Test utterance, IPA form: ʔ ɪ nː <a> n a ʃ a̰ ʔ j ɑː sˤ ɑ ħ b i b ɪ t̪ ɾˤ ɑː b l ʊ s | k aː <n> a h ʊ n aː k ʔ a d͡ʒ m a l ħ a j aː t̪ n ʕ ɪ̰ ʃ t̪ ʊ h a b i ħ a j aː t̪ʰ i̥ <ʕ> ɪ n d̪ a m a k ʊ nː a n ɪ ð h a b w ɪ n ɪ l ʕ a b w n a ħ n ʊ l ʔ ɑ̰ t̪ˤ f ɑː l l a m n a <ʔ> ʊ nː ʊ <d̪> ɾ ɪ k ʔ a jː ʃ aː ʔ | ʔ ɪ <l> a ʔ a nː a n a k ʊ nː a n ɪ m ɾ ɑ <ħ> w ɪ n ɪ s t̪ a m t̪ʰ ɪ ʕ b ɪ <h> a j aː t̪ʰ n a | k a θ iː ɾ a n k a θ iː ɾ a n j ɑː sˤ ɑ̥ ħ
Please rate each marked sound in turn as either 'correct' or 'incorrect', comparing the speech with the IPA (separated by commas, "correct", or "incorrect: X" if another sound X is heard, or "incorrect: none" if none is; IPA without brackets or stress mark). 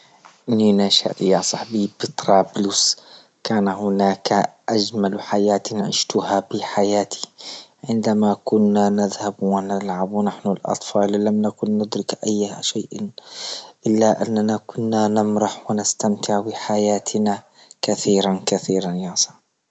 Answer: incorrect: i, correct, correct, incorrect: k, correct, incorrect: lː, correct, incorrect: ħ